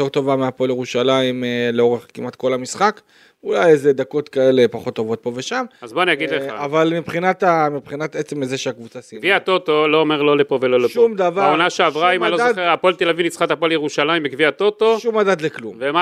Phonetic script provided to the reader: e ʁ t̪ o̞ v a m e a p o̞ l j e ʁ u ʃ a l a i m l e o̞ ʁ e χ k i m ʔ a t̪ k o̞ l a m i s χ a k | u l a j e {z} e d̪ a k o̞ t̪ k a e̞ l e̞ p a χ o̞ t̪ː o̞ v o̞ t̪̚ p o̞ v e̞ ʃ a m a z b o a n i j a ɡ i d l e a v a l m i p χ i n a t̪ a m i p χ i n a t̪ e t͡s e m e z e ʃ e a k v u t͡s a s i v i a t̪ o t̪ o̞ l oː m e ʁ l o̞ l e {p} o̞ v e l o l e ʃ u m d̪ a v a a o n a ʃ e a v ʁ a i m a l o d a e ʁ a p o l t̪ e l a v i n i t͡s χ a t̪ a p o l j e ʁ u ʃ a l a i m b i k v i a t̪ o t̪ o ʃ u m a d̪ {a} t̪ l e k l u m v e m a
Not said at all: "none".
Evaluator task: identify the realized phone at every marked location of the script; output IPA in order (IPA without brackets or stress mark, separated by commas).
z, p, a